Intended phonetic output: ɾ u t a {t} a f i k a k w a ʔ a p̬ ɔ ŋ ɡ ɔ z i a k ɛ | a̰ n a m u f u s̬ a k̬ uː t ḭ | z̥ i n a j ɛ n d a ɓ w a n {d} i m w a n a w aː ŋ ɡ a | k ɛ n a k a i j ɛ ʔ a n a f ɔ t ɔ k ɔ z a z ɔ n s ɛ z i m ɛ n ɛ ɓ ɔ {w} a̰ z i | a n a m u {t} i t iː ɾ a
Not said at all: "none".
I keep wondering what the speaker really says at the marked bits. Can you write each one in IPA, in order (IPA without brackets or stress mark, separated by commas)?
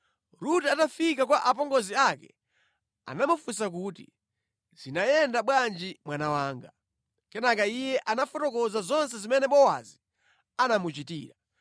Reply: t, d͡ʒ, w, t͡ʃ